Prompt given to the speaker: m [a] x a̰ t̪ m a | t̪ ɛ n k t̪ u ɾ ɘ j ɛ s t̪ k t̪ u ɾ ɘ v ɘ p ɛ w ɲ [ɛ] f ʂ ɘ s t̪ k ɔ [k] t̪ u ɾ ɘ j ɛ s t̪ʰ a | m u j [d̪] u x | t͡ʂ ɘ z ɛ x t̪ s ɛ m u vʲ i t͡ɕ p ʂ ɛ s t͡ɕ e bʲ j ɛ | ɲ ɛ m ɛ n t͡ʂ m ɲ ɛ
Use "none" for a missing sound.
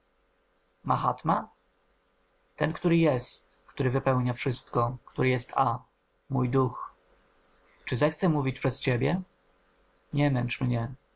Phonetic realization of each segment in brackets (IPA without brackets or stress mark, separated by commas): a, a, k, d̪